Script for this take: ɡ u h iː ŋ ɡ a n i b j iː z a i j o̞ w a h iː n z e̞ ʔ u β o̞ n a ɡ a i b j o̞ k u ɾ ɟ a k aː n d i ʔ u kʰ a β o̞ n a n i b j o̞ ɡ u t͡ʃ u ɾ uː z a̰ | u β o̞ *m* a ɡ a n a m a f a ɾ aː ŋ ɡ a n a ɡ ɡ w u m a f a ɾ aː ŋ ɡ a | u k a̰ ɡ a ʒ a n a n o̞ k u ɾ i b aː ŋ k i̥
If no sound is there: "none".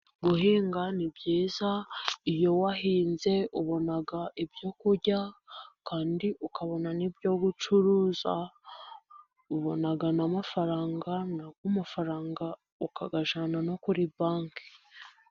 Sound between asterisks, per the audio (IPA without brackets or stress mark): n